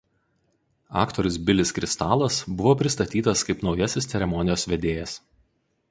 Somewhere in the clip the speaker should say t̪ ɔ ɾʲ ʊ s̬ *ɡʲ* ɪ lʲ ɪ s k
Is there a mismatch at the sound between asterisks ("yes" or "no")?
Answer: yes